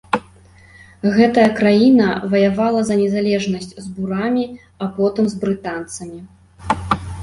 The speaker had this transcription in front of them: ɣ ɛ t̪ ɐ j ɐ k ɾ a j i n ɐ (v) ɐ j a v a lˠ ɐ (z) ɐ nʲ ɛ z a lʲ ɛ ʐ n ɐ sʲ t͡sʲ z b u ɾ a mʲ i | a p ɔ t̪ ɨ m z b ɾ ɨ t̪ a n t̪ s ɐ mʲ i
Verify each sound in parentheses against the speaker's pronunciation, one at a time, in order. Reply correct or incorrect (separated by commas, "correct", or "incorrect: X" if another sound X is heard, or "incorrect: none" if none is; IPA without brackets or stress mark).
correct, correct